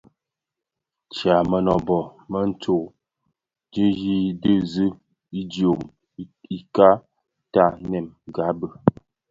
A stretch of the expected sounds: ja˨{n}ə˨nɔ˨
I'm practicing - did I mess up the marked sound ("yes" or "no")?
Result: yes